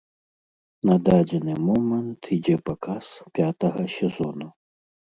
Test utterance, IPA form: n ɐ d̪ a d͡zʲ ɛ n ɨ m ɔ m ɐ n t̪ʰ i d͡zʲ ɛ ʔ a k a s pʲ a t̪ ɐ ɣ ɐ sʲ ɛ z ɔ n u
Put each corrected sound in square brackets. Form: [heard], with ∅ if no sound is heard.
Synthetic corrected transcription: n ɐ d̪ a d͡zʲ ɛ n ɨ m ɔ m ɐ n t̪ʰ i d͡zʲ ɛ [p] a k a s pʲ a t̪ ɐ ɣ ɐ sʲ ɛ z ɔ n u

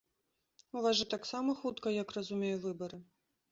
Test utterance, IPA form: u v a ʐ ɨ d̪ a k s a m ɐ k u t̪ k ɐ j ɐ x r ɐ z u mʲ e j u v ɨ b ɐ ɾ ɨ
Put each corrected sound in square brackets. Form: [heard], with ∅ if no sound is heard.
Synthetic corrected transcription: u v a ʐ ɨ [t̪] a k s a m ɐ [x] u t̪ k ɐ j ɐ [k] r ɐ z u mʲ e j u v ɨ b ɐ ɾ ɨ

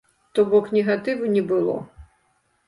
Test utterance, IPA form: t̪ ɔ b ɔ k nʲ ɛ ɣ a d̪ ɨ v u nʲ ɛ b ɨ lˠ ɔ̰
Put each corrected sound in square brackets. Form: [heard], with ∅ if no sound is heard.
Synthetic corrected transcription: t̪ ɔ b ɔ k nʲ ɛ ɣ a [t̪] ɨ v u nʲ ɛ b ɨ lˠ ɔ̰

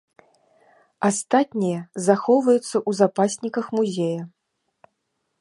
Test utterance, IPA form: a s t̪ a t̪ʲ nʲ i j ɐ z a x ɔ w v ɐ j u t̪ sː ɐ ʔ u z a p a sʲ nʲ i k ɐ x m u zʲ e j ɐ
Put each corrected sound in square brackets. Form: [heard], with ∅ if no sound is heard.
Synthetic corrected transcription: a s t̪ a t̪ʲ nʲ i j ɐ z a x ɔ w v ɐ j u t̪ sː ɐ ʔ u z a p a sʲ nʲ i k ɐ x m u zʲ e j ɐ

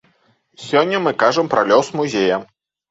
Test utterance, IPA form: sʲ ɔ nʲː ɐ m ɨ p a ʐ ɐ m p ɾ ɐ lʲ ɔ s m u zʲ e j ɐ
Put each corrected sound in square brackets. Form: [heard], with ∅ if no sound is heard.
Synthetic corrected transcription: sʲ ɔ nʲː ɐ m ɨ [k] a ʐ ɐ m p ɾ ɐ lʲ ɔ s m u zʲ e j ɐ

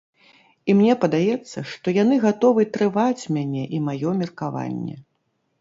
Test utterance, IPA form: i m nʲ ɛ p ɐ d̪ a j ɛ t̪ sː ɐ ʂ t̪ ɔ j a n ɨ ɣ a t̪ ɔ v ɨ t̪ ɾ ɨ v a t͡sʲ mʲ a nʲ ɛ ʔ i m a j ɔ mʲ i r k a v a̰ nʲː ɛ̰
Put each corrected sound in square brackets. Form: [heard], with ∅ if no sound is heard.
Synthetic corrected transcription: i m nʲ ɛ p ɐ d̪ a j ɛ t̪ sː ɐ ʂ t̪ ɔ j a n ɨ ɣ a t̪ ɔ v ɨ t̪ ɾ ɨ v a t͡sʲ mʲ a nʲ ɛ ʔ i m a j ɔ mʲ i r k a v a̰ nʲː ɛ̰

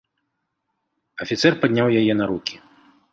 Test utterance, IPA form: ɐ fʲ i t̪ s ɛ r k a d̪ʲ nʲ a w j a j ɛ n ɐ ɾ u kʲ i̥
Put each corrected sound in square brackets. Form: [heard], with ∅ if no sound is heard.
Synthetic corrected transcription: ɐ fʲ i t̪ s ɛ r [p] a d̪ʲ nʲ a w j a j ɛ n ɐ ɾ u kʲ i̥

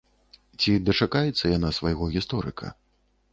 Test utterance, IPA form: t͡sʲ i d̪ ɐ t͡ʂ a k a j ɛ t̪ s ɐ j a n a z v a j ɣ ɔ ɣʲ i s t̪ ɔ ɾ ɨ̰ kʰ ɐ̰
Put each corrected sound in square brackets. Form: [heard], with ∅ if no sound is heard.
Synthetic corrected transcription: t͡sʲ i d̪ ɐ t͡ʂ a k a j ɛ t̪ [sː] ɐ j a n a [s] v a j ɣ ɔ ɣʲ i s t̪ ɔ ɾ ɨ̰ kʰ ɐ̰

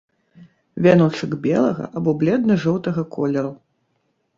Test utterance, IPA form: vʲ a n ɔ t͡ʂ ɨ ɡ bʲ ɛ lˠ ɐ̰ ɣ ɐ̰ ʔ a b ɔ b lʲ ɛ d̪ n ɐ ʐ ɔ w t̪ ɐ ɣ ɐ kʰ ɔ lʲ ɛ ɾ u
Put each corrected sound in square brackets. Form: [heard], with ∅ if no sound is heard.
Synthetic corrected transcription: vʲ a n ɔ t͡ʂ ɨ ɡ bʲ ɛ lˠ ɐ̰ ɣ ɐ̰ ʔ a b ɔ b lʲ ɛ d̪ n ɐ ʐ ɔ w t̪ ɐ ɣ ɐ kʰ ɔ lʲ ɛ ɾ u

